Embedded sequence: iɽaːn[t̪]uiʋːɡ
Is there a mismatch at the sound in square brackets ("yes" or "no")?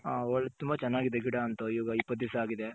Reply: no